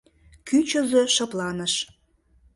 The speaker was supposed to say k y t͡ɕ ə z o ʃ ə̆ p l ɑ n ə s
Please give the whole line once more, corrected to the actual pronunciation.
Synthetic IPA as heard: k y t͡ɕ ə z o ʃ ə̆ p l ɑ n ə ʃ

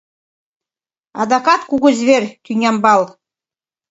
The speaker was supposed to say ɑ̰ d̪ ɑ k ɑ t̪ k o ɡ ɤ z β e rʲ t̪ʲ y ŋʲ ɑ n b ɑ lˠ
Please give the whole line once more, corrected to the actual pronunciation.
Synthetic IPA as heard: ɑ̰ d̪ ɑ k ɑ t̪ k u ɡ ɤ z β e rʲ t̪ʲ y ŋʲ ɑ m b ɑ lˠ

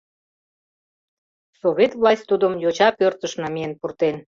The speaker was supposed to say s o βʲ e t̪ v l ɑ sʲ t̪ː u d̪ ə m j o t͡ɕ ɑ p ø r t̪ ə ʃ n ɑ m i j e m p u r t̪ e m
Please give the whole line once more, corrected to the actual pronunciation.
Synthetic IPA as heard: s o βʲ e t̪ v l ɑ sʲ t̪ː u d̪ ə m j o t͡ɕ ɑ p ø r t̪ ə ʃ n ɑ m i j e n p u r t̪ e n

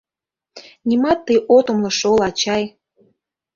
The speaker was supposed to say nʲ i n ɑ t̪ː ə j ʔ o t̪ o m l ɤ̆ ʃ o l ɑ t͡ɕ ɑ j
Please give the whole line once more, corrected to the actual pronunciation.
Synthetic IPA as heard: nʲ i m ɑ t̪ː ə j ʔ o t̪ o m l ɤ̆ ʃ o l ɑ t͡ɕ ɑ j

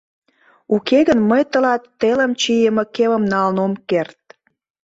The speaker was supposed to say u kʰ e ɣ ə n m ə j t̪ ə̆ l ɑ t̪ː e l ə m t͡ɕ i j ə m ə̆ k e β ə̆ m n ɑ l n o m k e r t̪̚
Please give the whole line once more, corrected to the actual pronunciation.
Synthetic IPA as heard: u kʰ e ɣ ə n m ə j t̪ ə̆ l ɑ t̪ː e l ə m t͡ɕ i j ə m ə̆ k e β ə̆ m n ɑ l n o m k e r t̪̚

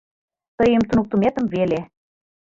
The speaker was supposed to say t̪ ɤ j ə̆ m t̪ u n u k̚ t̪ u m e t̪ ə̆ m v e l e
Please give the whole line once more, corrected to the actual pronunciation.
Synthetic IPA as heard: t̪ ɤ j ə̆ m t̪ u n u k̚ t̪ u m e t̪ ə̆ m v e l e

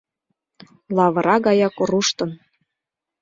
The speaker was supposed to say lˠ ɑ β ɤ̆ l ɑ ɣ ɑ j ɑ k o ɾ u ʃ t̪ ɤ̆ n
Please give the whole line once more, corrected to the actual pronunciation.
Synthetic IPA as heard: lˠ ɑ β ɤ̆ ɾ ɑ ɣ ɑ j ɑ k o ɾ u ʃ t̪ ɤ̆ n

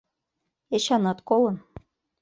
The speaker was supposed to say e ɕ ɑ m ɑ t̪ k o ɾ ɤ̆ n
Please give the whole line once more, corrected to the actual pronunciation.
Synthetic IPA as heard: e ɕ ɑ n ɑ t̪ k o l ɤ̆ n

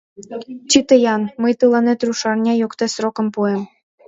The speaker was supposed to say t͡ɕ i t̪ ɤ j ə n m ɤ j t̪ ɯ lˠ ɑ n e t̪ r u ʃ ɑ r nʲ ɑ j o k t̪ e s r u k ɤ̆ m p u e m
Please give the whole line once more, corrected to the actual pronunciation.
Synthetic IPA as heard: t͡ɕ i t̪ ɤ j ɑ n m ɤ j t̪ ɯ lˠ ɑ n e t̪ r u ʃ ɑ r nʲ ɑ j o k t̪ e s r o k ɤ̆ m p u e m

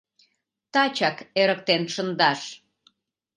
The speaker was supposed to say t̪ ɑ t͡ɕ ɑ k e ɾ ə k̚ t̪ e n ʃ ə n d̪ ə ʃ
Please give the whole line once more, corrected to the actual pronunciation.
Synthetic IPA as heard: t̪ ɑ t͡ɕ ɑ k e ɾ ə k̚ t̪ e n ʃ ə n d̪ ɑ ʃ

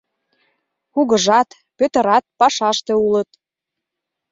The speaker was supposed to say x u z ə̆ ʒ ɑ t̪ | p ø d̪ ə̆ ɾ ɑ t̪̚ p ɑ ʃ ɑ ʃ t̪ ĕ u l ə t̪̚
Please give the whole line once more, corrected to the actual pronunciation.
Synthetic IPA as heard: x u ɣ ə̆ ʒ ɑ t̪ | p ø t̪ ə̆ ɾ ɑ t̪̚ p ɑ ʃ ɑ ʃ t̪ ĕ u l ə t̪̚

